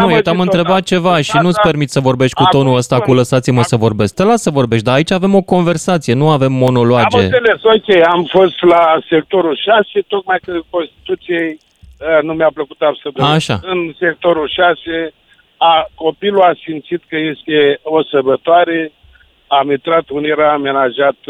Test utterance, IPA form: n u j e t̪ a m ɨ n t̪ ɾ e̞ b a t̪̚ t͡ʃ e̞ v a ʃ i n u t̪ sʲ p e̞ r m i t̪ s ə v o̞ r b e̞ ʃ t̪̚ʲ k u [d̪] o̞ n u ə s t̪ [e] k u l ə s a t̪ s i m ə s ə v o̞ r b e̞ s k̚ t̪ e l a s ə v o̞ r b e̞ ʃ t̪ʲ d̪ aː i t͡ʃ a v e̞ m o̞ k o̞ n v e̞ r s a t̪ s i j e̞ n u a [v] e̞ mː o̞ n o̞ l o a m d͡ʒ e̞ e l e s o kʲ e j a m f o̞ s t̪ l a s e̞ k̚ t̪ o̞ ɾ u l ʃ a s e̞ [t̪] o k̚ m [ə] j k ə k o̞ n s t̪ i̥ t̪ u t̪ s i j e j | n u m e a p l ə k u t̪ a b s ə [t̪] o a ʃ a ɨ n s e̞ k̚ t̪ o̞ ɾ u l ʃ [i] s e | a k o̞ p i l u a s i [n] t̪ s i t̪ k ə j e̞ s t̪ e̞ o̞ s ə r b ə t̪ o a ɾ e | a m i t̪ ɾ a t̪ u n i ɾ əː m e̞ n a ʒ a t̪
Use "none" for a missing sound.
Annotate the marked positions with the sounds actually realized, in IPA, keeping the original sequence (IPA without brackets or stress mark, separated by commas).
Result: t̪, a, v, t̪, a, d̪, a, m